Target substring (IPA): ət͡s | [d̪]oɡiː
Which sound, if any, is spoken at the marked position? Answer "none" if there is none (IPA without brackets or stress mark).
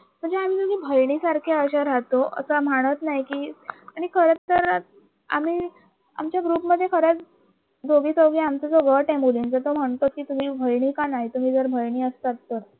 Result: d̪